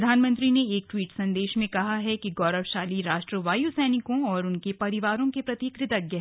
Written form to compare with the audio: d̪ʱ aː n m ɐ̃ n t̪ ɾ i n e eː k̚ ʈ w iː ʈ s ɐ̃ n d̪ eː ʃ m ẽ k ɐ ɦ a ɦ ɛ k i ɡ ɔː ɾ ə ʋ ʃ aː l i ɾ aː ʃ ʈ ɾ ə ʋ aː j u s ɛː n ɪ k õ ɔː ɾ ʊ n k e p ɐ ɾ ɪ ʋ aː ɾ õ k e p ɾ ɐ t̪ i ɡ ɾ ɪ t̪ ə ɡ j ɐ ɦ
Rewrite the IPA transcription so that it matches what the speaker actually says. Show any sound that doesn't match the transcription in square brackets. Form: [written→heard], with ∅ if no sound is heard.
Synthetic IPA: d̪ʱ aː n m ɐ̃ n t̪ ɾ i n e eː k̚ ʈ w iː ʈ s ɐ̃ n d̪ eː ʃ m ẽ k ɐ ɦ a ɦ ɛ k i ɡ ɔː ɾ ə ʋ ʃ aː l i ɾ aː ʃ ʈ ɾ ə ʋ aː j u s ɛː n ɪ k õ ɔː ɾ ʊ n k e p ɐ ɾ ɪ ʋ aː ɾ õ k e p ɾ ɐ t̪ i [ɡ→k] ɾ ɪ t̪ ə ɡ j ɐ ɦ

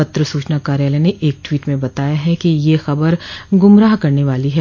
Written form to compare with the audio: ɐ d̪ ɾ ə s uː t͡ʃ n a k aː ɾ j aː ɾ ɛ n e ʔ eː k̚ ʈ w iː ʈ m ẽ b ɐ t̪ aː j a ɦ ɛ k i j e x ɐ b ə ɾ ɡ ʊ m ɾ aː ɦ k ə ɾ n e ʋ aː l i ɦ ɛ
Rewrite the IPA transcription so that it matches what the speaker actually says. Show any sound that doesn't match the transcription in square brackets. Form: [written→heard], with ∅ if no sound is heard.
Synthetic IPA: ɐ [d̪→t̪] ɾ ə s uː t͡ʃ n a k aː ɾ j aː [ɾ→l] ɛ n e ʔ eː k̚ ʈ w iː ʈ m ẽ b ɐ t̪ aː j a ɦ ɛ k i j e x ɐ b ə ɾ ɡ ʊ m ɾ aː ɦ k [ə→ɐ] ɾ n e ʋ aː l i ɦ ɛ

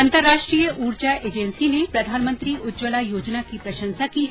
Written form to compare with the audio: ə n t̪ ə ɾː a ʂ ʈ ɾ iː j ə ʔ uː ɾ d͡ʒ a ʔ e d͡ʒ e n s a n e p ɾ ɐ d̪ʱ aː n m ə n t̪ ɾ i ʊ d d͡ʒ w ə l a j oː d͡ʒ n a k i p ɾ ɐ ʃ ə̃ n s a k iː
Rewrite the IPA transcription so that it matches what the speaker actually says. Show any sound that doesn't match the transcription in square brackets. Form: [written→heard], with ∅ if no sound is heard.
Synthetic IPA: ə n t̪ ə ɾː a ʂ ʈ ɾ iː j ə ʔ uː ɾ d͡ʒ a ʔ e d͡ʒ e n s [a→i] n e p ɾ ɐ d̪ʱ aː n m ə n t̪ ɾ i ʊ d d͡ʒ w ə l a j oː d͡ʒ n a k i p ɾ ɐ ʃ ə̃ n s a k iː

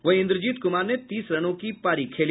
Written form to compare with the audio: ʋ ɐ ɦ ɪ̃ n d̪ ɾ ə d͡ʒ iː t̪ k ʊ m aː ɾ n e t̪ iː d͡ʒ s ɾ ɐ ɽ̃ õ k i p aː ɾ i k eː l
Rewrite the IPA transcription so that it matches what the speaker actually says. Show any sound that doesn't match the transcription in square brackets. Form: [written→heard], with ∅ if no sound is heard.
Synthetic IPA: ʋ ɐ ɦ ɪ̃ n d̪ ɾ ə d͡ʒ iː t̪ k ʊ m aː ɾ n e t̪ iː [d͡ʒ→∅] s ɾ ɐ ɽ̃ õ k i p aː ɾ i [k→kʰ] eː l

